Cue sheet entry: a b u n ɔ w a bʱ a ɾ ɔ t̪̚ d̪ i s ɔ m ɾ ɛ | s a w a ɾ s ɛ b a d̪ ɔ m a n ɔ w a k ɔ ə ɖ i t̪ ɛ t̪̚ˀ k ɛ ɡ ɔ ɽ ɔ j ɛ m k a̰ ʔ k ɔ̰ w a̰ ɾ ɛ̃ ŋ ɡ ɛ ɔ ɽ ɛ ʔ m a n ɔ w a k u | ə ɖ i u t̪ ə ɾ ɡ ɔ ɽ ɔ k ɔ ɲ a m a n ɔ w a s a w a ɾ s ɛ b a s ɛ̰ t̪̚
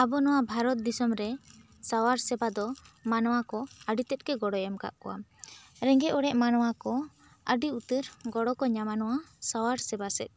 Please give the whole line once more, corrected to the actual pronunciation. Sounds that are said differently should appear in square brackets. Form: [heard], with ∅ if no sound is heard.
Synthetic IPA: a b [ɔ] n ɔ w a bʱ a ɾ ɔ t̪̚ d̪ i s ɔ m ɾ ɛ | s a w a ɾ s ɛ b a d̪ ɔ m a n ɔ w a k ɔ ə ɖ i t̪ ɛ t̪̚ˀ k ɛ ɡ ɔ ɽ ɔ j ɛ m k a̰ ʔ k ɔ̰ w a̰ ɾ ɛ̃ ŋ ɡ ɛ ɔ ɽ ɛ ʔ m a n ɔ w a k [ɔ] | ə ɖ i u t̪ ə ɾ ɡ ɔ ɽ ɔ k ɔ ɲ a m a n ɔ w a s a w a ɾ s ɛ b a s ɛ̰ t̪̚